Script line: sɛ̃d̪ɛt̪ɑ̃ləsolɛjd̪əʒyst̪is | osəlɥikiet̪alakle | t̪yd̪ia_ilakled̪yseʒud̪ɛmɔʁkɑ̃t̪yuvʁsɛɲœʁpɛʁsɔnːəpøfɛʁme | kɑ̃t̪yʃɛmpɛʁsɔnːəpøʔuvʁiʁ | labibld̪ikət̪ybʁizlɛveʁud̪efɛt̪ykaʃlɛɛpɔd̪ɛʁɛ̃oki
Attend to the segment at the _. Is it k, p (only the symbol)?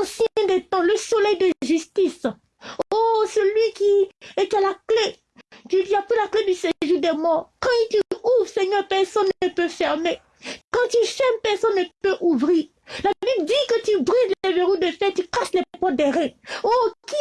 p